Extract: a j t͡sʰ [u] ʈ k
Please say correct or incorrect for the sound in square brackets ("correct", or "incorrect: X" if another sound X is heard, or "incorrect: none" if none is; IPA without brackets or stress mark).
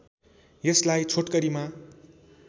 incorrect: o